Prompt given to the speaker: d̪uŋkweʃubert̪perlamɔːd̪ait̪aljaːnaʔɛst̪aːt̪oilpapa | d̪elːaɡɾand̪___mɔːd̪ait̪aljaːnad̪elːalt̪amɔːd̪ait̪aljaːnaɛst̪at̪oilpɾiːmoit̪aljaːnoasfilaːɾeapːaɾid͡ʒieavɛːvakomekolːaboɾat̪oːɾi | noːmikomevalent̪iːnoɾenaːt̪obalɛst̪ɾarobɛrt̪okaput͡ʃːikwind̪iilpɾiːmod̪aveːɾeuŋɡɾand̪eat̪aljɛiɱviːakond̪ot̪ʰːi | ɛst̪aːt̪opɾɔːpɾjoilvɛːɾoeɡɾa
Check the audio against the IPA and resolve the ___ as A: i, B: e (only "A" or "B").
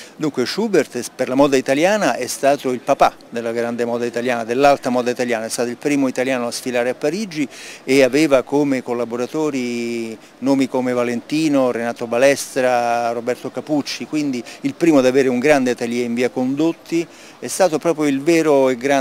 B